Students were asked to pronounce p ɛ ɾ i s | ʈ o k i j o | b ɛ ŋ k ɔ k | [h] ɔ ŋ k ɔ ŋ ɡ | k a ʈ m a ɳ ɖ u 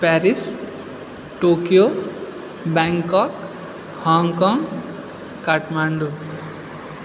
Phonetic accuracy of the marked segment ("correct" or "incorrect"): correct